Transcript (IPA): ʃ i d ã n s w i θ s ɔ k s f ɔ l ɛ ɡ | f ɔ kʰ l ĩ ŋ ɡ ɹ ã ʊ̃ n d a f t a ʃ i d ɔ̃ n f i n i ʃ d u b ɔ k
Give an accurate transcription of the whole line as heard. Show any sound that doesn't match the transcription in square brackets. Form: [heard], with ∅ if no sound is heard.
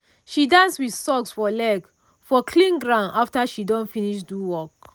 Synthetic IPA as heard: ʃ i d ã n s w i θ s ɔ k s f ɔ l ɛ ɡ | f ɔ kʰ l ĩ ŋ ɡ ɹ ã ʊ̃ n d a f t a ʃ i d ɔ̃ n f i n i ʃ d u [w] ɔ k